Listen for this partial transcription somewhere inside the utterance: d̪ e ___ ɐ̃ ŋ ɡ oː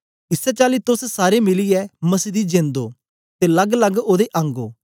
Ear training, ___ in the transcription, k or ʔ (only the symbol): ʔ